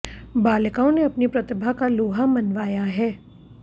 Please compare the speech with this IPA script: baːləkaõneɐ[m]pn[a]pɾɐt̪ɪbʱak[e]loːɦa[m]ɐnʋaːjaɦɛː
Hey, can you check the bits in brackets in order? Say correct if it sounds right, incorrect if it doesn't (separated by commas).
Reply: incorrect, incorrect, incorrect, correct